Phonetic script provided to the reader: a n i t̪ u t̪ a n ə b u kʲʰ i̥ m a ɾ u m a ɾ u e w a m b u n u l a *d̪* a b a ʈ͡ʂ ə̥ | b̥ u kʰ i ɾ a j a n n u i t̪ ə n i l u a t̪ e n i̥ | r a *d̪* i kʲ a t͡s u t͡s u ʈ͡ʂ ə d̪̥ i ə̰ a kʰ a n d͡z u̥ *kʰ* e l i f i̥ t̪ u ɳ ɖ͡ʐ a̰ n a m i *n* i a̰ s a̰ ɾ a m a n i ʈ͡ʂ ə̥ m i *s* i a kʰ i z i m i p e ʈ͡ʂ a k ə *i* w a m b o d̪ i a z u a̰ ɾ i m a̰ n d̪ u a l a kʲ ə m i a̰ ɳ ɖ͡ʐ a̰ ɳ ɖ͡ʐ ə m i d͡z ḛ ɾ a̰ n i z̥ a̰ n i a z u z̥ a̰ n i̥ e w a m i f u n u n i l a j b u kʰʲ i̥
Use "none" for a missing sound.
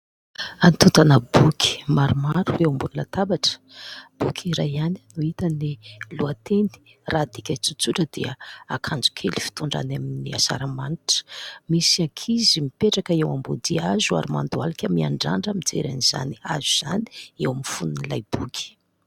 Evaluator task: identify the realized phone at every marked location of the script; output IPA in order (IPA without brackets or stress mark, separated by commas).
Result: t̪, d̪, kʰ, n, s, e